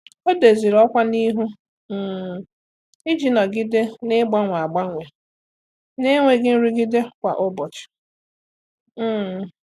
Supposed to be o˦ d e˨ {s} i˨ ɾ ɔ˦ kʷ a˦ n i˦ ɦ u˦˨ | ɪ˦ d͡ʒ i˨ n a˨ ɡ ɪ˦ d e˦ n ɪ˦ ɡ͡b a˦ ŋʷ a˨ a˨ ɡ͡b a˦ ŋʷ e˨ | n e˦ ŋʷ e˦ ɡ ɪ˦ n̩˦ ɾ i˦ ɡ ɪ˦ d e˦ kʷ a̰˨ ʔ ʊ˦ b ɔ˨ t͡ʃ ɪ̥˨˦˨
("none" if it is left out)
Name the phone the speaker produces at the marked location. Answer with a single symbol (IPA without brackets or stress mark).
z